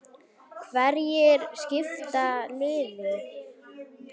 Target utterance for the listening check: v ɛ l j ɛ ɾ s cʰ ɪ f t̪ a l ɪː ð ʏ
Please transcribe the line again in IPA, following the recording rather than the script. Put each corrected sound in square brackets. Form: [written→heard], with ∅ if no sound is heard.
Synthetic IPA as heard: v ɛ [l→ɾ] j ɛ ɾ s [cʰ→c] ɪ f t̪ a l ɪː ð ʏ

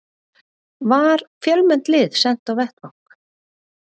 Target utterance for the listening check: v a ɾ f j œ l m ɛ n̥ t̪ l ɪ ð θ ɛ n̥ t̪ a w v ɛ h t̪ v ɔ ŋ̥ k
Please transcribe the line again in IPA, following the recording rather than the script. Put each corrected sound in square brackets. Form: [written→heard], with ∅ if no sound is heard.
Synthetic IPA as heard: v a ɾ f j œ l m ɛ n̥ t̪ l ɪ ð [θ→s] ɛ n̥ t̪ a w v ɛ h t̪ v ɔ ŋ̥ k

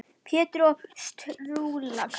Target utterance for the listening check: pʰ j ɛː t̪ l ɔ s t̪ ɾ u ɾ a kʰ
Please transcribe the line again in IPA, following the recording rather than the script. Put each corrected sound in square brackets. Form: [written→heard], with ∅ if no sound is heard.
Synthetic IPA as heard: pʰ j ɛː t̪ [l→ɾ] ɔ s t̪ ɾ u [ɾ→l] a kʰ

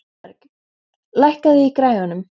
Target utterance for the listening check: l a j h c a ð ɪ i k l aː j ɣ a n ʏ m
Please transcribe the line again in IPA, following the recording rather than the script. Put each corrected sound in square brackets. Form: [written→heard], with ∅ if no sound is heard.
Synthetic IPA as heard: l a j h [c→k] a ð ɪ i k [l→ɾ] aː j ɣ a n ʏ m

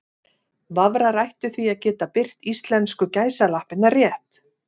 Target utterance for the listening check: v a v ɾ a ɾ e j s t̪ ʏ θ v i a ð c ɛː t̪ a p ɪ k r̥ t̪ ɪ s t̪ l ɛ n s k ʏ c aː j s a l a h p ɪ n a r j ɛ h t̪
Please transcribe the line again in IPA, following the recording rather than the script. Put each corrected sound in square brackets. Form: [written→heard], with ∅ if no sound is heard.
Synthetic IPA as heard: v a v ɾ a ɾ [e→a] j [s→h] t̪ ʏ θ v i a ð c ɛː t̪ a p ɪ [k→∅] r̥ t̪ [ɪ→i] s t̪ l ɛ n s k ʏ c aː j s a l a h p ɪ n a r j ɛ h t̪

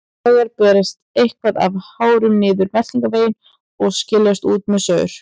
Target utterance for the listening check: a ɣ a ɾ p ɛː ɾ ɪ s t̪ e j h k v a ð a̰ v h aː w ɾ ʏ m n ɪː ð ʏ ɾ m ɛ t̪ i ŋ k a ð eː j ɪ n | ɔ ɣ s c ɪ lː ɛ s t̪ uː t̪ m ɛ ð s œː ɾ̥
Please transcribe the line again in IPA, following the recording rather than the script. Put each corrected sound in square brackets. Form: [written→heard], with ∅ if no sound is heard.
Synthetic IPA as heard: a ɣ a ɾ p ɛː ɾ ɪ s t̪ e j h k v a ð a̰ v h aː w ɾ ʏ m n ɪː ð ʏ ɾ m ɛ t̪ i ŋ k a [ð→v] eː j ɪ n | ɔ ɣ s c ɪ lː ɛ s t̪ uː t̪ m ɛ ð s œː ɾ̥

